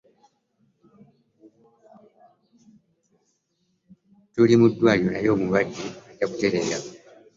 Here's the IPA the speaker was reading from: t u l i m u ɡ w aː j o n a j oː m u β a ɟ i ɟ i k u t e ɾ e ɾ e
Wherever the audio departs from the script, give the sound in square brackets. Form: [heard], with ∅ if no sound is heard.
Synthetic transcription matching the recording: t u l i m u [d] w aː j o n a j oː m u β a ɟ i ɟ [a] k u t e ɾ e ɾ [a]